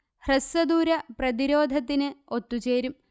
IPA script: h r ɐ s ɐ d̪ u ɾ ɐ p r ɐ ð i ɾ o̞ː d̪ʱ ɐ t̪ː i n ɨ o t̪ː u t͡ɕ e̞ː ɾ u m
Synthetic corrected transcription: h r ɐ s ɐ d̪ uː ɾ ɐ p r ɐ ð i ɾ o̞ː d̪ʱ ɐ t̪ː i n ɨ o t̪ː u t͡ɕ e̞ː ɾ u m

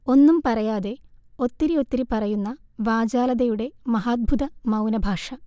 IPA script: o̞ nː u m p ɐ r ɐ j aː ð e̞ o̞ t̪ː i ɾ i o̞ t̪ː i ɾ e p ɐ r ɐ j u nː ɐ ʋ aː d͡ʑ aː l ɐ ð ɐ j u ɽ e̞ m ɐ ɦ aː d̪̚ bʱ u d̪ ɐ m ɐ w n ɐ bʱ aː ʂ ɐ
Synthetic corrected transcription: o̞ nː u m p ɐ r ɐ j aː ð e̞ o̞ t̪ː i ɾ i o̞ t̪ː i ɾ i p ɐ r ɐ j u nː ɐ ʋ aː d͡ʑ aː l ɐ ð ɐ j u ɽ e̞ m ɐ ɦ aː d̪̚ bʱ u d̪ ɐ m ɐ w n ɐ bʱ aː ʂ ɐ

